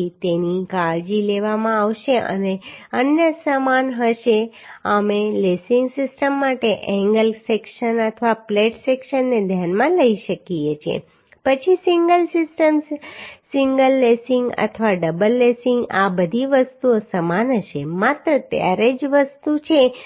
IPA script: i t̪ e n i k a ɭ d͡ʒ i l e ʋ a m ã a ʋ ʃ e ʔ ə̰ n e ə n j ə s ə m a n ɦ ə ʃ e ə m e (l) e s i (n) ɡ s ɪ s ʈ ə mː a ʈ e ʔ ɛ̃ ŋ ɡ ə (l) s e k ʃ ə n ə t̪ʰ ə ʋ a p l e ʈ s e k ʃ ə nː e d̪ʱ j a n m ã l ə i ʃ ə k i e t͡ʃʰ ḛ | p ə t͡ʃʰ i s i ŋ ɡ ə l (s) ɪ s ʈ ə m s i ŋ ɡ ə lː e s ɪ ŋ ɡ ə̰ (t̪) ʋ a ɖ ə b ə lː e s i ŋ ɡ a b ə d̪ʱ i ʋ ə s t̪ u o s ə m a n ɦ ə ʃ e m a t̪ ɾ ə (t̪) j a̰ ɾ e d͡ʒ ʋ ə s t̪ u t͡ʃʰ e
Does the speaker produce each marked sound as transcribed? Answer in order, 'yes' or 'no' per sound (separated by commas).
yes, no, yes, yes, no, yes